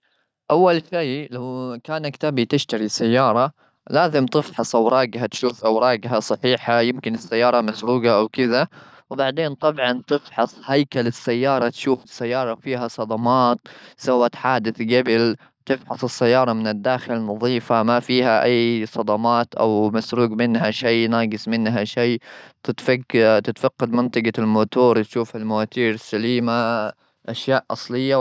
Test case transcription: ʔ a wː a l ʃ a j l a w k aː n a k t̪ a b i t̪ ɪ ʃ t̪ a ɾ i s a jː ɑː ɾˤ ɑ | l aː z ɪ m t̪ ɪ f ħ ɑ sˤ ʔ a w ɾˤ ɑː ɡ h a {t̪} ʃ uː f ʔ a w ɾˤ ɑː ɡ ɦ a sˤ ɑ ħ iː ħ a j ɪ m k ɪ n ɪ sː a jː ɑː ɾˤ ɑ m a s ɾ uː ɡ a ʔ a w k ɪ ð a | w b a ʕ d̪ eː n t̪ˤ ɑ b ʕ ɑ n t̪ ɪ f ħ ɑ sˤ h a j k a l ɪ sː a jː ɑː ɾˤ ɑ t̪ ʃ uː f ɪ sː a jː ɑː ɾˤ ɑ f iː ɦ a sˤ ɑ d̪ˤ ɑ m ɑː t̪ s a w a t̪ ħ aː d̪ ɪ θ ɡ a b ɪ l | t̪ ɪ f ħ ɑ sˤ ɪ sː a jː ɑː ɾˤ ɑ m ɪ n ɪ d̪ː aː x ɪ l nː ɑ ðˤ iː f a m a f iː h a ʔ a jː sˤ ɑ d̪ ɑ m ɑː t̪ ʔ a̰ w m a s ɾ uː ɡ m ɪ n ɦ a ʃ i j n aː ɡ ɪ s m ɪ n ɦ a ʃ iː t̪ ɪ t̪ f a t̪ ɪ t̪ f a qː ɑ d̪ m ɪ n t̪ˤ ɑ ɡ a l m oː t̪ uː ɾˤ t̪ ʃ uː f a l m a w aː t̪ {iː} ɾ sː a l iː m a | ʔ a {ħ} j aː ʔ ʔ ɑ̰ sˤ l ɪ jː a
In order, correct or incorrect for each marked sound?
correct, correct, incorrect: ʃ

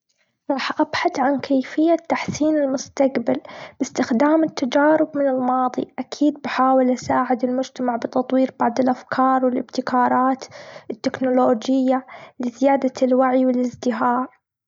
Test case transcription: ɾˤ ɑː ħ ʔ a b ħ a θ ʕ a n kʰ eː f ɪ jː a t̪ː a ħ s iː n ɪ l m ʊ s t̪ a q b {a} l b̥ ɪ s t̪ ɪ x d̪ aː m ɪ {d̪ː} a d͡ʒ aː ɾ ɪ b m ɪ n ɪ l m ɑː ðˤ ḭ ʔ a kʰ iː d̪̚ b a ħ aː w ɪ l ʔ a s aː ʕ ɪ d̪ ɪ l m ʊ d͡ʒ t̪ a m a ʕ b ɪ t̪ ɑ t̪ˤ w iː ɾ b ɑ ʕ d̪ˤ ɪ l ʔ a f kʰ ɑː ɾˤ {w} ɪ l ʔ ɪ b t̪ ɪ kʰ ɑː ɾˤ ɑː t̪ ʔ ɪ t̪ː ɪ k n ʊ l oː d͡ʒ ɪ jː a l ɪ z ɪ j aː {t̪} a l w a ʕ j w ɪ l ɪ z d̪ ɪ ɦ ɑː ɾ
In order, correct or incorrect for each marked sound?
correct, incorrect: t̪ː, correct, incorrect: d̪

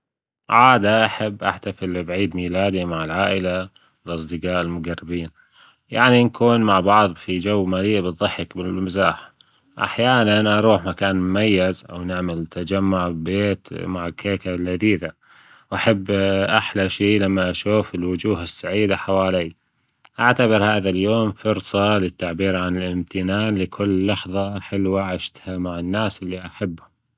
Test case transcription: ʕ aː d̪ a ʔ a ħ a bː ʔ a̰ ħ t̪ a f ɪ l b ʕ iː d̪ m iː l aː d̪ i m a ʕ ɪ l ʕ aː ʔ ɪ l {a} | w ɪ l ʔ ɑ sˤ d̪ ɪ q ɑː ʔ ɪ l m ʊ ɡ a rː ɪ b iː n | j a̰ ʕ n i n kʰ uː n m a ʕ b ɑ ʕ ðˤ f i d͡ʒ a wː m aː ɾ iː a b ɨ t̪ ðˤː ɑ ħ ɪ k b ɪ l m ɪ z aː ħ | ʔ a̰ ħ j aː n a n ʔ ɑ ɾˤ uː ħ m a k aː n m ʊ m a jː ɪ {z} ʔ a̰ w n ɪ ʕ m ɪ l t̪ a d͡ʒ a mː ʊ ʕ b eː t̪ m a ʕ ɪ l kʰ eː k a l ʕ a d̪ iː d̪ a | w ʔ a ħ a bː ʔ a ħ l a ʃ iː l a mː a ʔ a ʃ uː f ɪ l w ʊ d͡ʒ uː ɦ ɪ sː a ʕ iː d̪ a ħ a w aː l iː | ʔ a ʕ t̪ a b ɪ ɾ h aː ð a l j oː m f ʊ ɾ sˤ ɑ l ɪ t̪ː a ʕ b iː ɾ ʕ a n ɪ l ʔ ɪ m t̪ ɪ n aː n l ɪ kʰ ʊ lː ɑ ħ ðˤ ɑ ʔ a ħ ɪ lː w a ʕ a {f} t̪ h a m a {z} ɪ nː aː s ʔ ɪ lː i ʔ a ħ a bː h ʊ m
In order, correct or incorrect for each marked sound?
correct, correct, incorrect: ʃ, incorrect: ʕ

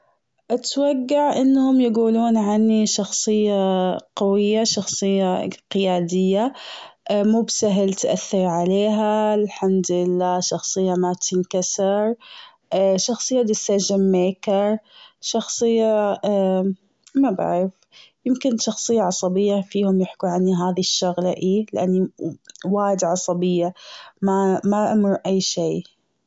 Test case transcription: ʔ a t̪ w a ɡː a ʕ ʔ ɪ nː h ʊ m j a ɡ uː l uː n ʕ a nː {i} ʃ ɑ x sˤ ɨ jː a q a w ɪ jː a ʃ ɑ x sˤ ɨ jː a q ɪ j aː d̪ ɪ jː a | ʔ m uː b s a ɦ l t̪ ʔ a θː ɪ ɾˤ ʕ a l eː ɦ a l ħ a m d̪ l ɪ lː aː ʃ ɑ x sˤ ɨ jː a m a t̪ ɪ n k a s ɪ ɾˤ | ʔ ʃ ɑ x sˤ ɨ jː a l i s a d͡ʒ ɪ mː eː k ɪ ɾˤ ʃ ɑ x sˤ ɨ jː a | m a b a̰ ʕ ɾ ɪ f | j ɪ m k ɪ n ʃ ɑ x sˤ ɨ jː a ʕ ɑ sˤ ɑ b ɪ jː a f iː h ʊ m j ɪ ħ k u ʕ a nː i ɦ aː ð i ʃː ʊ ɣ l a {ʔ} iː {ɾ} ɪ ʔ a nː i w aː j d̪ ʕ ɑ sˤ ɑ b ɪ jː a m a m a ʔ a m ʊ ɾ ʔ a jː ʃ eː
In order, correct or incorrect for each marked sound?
correct, correct, incorrect: l

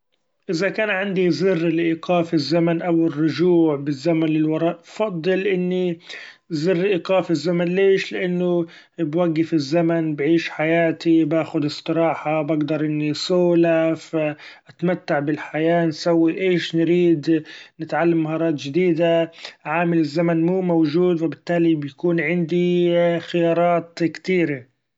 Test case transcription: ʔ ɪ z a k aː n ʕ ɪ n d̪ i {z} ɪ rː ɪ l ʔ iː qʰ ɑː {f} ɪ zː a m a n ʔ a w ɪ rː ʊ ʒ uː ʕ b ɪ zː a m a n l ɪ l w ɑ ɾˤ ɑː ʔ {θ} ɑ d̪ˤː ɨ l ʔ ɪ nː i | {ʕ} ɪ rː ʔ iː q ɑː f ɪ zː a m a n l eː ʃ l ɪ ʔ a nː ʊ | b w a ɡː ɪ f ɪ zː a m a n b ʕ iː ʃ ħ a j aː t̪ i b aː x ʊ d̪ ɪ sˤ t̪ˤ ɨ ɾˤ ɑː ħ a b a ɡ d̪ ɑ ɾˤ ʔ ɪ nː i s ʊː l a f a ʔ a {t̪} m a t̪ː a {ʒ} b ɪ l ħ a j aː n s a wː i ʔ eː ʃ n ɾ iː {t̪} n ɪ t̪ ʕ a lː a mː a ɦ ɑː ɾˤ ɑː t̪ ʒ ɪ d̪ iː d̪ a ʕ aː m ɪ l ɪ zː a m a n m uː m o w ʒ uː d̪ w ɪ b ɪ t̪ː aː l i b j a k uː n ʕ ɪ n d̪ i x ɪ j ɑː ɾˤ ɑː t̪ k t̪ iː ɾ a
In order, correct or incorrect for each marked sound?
correct, correct, incorrect: f, incorrect: z, correct, incorrect: ʕ, incorrect: d̪

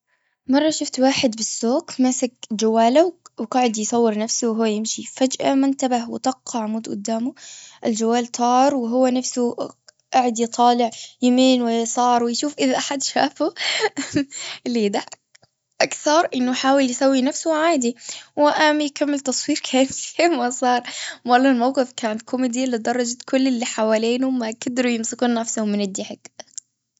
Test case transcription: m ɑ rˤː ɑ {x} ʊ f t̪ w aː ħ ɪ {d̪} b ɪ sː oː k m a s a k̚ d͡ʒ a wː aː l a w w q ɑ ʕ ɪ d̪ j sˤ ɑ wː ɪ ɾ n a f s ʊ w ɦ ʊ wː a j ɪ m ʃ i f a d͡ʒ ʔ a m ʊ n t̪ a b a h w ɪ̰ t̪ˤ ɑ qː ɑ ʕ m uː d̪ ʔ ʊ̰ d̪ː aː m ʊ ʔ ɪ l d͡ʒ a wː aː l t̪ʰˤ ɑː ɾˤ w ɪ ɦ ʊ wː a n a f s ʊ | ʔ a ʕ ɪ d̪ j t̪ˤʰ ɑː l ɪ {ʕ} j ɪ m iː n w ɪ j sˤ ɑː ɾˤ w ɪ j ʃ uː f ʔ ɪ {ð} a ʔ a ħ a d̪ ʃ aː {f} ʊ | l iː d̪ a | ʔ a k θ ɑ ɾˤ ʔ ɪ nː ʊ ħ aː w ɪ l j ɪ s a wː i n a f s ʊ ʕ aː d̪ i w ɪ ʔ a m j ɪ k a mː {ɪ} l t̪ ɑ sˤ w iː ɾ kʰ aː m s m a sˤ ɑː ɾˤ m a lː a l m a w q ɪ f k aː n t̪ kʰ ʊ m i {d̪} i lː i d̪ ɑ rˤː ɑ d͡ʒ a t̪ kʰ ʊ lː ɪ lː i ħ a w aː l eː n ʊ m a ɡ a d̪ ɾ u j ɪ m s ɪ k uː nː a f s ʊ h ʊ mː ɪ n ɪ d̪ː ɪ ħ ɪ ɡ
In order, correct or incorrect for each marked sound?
incorrect: ʃ, correct, correct, correct, correct, correct, correct

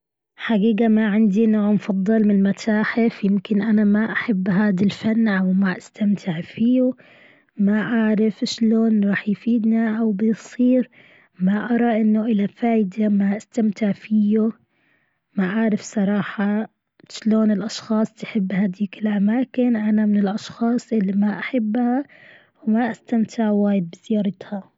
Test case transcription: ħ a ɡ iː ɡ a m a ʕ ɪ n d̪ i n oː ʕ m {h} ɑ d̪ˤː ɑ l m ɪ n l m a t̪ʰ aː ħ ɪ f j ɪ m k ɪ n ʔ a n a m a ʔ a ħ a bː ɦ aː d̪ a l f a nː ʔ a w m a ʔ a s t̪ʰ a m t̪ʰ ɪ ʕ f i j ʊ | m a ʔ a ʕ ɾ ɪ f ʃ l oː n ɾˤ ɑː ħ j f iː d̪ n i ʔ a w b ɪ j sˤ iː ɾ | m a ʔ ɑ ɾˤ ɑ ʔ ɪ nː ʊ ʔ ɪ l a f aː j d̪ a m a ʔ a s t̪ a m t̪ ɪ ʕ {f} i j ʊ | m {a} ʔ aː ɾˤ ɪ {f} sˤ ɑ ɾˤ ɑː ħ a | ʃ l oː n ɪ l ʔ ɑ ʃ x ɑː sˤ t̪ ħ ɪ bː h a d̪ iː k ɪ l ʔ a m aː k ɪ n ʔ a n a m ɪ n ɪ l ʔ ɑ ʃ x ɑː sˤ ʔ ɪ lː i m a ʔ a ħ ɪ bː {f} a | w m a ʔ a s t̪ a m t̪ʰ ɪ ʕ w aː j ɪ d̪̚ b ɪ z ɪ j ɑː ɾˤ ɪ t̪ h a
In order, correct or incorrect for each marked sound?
incorrect: f, correct, correct, correct, incorrect: h

